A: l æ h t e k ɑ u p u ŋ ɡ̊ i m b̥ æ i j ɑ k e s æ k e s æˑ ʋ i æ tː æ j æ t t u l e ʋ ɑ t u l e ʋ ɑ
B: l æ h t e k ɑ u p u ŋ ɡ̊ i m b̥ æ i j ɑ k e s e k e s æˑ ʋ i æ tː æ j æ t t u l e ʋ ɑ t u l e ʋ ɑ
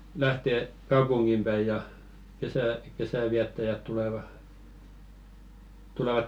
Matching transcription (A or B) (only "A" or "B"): A